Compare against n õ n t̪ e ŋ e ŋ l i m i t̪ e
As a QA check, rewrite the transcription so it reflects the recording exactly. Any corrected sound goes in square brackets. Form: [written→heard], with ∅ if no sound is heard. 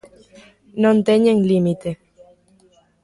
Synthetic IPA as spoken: n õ n t̪ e [ŋ→ɲ] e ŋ l i m i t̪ e